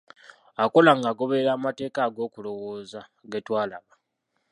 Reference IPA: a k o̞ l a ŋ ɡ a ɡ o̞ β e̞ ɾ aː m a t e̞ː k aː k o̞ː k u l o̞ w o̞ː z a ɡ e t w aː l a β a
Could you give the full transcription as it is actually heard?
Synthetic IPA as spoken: a k o̞ l a ŋ ɡ a ɡ o̞ β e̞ ɾ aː m a t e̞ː k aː ɡ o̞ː k u l o̞ w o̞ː z a ɡ e t w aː l a β a

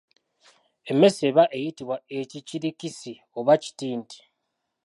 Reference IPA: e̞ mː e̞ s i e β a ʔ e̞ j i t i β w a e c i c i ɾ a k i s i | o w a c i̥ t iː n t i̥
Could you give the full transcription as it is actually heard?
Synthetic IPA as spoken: e̞ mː e̞ s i e β a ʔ e̞ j i t i β w a e c i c i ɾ i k i s i | o β a c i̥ t iː n t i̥

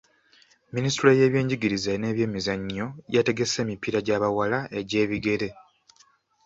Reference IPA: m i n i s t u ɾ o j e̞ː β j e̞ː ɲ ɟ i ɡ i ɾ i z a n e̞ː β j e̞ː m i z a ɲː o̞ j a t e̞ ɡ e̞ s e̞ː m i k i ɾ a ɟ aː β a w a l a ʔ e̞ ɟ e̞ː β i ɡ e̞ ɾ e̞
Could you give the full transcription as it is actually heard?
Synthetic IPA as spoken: m i n i s t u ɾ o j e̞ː β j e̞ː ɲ ɟ i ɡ i ɾ i z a n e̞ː β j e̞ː m i z a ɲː o̞ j a t e̞ ɡ e̞ s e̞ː m i p i ɾ a ɟ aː β a w a l a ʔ e̞ ɟ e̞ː β i ɡ e̞ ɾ e̞

